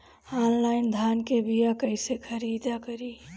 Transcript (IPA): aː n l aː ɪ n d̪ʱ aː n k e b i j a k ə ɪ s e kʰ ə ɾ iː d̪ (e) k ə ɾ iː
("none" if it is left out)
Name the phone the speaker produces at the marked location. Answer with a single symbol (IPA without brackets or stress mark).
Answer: a